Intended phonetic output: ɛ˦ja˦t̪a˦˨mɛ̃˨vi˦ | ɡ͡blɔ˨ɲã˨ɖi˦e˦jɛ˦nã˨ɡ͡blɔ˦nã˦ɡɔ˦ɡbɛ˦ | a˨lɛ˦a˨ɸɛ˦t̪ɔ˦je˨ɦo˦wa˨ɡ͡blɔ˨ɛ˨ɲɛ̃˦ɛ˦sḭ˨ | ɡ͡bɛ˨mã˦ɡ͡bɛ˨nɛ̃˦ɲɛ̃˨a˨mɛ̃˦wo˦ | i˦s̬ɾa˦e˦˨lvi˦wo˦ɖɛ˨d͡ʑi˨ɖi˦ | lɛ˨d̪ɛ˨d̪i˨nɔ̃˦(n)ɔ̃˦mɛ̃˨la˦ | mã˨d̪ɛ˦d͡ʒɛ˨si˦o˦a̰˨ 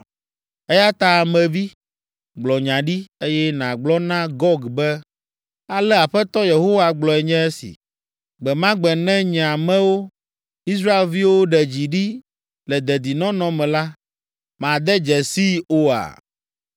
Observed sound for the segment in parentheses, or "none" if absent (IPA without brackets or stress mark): n